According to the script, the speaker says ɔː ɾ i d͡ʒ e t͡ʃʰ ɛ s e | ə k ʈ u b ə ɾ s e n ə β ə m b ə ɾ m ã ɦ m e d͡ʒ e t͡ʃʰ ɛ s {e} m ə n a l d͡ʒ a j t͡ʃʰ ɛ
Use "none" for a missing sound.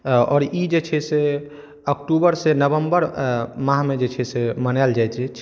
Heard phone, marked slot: e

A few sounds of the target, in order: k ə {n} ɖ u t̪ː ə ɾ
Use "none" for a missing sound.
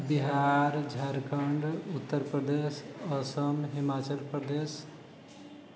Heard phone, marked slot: ɳ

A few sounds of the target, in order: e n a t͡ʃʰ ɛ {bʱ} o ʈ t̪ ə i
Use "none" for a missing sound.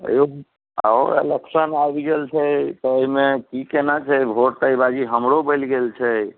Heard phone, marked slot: bʱ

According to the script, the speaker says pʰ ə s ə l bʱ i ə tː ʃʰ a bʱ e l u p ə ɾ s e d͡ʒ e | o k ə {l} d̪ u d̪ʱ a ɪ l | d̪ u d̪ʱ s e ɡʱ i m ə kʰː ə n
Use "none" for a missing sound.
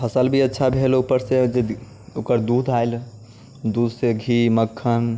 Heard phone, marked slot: ɾ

